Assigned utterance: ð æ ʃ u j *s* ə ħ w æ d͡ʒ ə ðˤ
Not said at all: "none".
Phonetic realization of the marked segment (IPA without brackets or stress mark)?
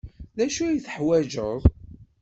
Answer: θ